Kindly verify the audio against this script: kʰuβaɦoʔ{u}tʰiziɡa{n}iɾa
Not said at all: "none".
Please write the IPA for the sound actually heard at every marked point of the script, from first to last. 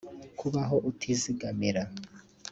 u, m

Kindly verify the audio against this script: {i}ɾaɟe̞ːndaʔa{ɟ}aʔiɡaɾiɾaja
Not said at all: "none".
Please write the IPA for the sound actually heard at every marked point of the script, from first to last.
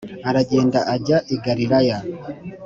a, ɟ

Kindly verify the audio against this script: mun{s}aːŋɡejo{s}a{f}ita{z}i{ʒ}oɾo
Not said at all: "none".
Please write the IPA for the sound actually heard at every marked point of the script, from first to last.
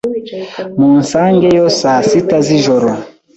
s, s, s, z, ʒ

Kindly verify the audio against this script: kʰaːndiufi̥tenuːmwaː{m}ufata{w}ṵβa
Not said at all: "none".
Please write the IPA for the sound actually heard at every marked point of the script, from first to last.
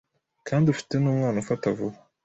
n, v

